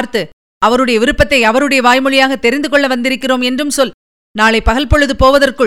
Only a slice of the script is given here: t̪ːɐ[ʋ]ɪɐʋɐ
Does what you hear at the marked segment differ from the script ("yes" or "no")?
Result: yes